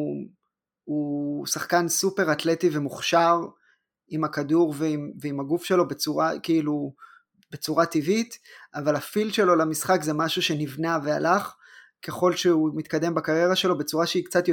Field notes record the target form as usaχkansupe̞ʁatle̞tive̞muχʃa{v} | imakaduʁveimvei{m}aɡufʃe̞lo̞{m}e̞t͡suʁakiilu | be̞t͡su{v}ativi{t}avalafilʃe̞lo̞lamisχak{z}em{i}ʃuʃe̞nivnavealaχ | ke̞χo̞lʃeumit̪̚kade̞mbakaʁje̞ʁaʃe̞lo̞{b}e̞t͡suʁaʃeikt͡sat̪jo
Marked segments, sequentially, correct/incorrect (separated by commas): incorrect, correct, incorrect, incorrect, correct, correct, incorrect, correct